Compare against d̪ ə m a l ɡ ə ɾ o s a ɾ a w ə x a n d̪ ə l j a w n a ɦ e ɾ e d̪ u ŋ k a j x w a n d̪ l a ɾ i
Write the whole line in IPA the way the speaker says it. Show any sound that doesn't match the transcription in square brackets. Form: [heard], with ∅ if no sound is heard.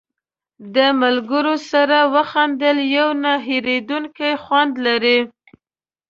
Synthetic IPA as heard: d̪ ə m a l ɡ ə ɾ o s a ɾ a w ə x a n d̪ ə l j a w n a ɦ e ɾ e d̪ u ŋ k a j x w a n d̪ l a ɾ i